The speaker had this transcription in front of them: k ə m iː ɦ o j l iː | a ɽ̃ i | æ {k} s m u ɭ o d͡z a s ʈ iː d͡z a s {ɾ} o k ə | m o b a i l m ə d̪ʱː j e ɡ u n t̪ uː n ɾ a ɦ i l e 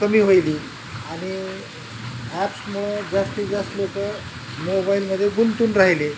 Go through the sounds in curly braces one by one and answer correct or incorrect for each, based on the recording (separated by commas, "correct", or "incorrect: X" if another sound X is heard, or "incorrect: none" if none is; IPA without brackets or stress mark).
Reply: incorrect: p, incorrect: l